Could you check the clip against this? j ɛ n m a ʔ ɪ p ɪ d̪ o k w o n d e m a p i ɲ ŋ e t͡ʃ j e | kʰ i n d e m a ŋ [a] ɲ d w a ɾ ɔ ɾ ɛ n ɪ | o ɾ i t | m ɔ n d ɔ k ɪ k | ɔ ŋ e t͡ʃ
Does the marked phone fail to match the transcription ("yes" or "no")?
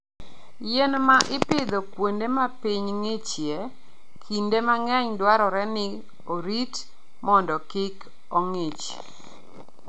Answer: yes